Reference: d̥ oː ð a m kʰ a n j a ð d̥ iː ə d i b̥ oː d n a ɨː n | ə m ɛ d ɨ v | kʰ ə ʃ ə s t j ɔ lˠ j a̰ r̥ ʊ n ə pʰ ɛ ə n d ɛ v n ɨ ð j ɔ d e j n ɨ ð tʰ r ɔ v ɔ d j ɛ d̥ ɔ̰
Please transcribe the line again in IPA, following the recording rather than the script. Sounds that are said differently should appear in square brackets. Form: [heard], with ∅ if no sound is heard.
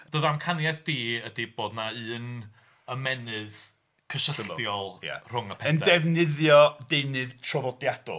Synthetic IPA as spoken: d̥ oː ð a m kʰ a n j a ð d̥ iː ə d i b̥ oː d n a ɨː n | ə m ɛ [n] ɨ [ð] | kʰ ə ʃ ə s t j ɔ lˠ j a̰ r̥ ʊ [ŋ] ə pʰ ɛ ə n d ɛ v n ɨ ð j ɔ d e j n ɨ ð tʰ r ɔ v ɔ d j [a] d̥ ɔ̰